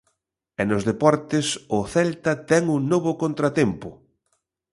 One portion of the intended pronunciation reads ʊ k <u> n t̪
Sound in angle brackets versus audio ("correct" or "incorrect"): incorrect